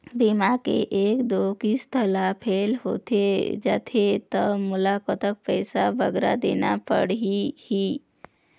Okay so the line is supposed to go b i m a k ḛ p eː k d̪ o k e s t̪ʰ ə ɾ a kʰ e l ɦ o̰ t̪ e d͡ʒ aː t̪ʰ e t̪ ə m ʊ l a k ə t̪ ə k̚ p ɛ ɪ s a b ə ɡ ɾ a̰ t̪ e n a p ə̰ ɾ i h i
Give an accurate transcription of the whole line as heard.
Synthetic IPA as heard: b i m a k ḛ ʔ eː k d̪ o k i s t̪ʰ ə l a pʰ e l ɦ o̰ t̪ e d͡ʒ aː t̪ʰ e t̪ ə m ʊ l a k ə t̪ ə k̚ p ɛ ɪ s a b ə ɡ ɾ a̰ d̪ e n a p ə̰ ɽ i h i